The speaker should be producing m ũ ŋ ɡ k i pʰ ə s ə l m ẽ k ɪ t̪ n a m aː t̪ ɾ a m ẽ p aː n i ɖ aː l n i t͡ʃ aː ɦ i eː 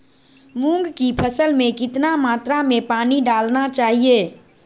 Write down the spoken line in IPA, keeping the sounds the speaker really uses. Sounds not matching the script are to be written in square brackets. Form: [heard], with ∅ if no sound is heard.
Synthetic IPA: m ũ ŋ ɡ k i pʰ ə s ə l m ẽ k ɪ t̪ n a m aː t̪ ɾ a m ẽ p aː n i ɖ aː l n [a] t͡ʃ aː ɦ i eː